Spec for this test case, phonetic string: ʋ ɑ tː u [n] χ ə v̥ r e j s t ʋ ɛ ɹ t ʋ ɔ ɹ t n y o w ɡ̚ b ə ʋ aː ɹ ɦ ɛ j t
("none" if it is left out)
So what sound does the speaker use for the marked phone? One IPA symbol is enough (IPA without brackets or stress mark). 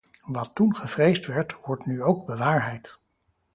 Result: n